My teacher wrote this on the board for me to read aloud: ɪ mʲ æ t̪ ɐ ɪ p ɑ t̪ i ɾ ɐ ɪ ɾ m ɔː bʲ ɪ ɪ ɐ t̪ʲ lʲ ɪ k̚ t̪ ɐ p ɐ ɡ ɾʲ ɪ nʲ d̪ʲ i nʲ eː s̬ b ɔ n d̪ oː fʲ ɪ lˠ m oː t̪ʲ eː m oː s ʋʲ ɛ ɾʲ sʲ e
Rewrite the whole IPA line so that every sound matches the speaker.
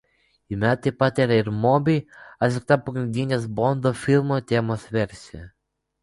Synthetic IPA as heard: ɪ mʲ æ t̪ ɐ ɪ p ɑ t̪ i ɾ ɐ ɪ ɾ m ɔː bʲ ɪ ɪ ɐ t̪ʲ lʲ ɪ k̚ t̪ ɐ p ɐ ɡ ɾʲ ɪ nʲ d̪ʲ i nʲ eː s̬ b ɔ n d̪ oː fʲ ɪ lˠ m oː t̪ʲ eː m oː s ʋʲ ɛ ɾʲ sʲ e